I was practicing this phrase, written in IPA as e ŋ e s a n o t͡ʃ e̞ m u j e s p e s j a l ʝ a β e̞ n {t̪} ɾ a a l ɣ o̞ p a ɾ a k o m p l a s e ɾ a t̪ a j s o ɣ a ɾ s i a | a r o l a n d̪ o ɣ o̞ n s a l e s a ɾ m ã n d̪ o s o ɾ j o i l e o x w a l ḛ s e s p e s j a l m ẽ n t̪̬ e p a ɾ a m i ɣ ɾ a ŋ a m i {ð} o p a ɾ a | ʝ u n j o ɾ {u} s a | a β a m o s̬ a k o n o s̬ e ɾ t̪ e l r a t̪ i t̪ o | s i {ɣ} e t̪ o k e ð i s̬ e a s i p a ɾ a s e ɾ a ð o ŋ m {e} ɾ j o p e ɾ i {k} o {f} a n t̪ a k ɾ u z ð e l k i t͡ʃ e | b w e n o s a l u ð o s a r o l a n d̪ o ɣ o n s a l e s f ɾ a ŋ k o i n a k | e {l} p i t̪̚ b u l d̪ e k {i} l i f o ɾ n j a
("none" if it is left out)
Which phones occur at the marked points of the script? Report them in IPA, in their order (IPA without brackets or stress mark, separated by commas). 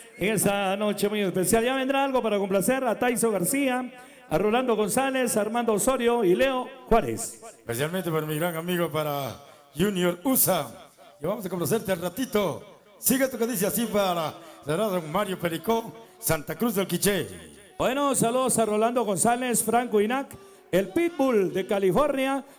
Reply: d̪, ɣ, u, ɣ, a, k, s, l, a